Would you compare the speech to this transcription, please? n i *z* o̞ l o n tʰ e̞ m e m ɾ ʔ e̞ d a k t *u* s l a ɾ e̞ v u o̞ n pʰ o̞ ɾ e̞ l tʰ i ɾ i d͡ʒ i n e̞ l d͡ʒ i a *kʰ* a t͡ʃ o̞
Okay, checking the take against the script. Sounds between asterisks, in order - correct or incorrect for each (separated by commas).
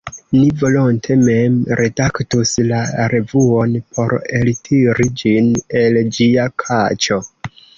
incorrect, correct, correct